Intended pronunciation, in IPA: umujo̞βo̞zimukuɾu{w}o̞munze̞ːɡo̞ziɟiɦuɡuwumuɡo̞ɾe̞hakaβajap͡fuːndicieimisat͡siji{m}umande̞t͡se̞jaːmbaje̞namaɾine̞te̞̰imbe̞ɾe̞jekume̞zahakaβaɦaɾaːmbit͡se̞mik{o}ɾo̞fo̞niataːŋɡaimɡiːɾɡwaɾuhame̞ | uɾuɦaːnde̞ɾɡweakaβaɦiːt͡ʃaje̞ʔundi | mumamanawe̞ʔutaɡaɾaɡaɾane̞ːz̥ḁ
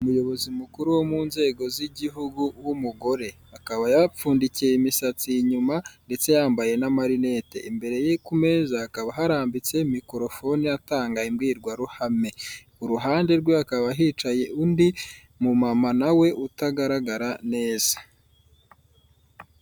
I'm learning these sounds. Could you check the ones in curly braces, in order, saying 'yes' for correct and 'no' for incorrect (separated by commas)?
yes, no, yes